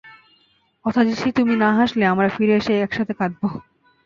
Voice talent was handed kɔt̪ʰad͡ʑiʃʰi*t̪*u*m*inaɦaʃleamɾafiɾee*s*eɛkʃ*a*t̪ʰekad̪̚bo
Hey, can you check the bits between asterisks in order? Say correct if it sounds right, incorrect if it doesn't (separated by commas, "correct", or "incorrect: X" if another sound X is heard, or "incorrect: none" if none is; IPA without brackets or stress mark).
correct, correct, incorrect: ʃ, correct